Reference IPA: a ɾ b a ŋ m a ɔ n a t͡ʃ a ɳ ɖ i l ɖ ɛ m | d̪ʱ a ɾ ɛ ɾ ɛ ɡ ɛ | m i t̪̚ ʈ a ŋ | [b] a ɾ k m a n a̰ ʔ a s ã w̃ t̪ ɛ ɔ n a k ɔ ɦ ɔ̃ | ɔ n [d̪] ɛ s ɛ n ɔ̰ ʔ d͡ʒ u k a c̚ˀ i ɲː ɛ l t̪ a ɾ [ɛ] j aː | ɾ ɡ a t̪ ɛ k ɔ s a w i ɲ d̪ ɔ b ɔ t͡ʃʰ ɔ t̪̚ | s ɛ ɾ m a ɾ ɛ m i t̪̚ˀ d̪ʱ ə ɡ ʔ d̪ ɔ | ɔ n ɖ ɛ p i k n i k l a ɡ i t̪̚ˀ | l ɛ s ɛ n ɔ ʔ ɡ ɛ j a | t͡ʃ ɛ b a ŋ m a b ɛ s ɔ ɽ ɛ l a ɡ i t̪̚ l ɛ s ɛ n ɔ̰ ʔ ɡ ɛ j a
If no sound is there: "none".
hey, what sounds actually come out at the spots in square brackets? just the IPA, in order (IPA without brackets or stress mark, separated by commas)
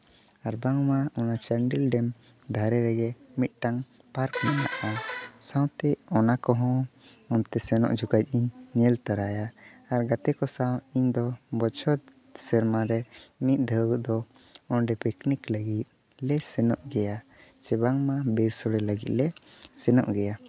p, t̪, a